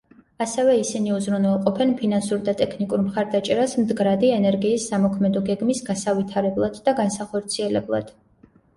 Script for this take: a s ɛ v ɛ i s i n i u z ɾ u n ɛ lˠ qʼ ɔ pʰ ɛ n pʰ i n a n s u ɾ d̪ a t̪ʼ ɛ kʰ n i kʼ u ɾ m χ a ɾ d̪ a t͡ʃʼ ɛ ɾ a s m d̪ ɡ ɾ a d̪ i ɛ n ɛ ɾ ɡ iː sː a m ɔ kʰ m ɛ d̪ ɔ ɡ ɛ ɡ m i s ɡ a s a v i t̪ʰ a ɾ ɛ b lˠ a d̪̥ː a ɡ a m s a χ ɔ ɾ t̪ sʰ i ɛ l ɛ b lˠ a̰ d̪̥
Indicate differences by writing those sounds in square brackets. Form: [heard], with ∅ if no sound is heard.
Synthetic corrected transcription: a s ɛ v ɛ i s i n i u z ɾ u n ɛ lˠ qʼ ɔ pʰ ɛ n pʰ i n a n s u ɾ d̪ a t̪ʼ ɛ kʰ n i kʼ u ɾ m χ a ɾ d̪ a t͡ʃʼ ɛ ɾ a s m d̪ ɡ ɾ a d̪ i ɛ n ɛ ɾ ɡ iː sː a m ɔ kʰ m ɛ d̪ ɔ ɡ ɛ ɡ m i s ɡ a s a v i t̪ʰ a ɾ ɛ b lˠ a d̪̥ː a ɡ a [n] s a χ ɔ ɾ t̪ sʰ i ɛ l ɛ b lˠ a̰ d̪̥